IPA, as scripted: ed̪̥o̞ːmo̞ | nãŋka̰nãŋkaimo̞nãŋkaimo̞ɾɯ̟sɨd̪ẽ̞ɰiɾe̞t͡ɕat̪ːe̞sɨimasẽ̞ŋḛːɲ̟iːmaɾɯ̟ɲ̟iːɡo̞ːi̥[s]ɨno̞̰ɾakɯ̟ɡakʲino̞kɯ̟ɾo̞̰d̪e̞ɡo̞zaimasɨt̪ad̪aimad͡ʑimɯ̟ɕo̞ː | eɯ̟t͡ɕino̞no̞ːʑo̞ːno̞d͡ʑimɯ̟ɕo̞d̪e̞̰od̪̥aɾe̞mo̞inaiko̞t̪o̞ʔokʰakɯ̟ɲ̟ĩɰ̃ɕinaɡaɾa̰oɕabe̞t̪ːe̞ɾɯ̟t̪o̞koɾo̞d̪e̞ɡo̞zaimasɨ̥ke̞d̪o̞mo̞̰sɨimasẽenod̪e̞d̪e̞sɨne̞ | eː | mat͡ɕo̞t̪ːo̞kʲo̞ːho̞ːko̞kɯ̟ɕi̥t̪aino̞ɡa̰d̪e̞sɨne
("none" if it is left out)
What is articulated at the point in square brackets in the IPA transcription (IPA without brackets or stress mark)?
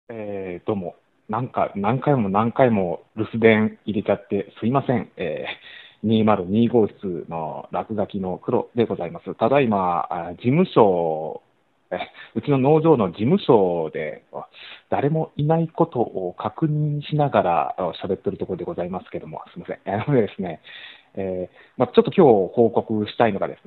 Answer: t͡s